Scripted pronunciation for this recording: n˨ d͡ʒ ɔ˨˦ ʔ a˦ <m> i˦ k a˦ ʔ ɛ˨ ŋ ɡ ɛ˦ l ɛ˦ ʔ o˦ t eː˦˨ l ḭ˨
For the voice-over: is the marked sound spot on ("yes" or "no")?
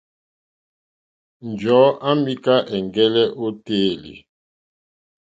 yes